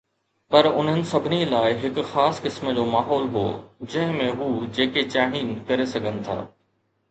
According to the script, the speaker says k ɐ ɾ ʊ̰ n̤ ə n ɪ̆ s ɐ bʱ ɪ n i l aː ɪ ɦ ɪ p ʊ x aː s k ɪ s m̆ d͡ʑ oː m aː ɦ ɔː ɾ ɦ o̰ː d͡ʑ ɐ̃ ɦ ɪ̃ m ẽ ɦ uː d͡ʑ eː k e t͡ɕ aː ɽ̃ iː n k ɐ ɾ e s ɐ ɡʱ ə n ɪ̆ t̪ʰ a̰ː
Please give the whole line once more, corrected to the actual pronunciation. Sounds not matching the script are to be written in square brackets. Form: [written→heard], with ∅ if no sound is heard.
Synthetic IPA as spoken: [k→p] ɐ ɾ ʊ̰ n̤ ə n ɪ̆ s ɐ bʱ ɪ n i l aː ɪ ɦ ɪ [p→k] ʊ x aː s k ɪ s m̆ d͡ʑ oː m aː ɦ ɔː [ɾ→l] ɦ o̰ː d͡ʑ ɐ̃ ɦ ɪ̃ m ẽ ɦ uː d͡ʑ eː k e t͡ɕ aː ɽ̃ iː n k ɐ ɾ e s ɐ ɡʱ ə n ɪ̆ t̪ʰ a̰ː